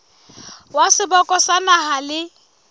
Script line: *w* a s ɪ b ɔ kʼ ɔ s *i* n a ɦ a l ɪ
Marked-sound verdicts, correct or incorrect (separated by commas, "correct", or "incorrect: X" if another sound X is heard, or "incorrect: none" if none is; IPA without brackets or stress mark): correct, incorrect: a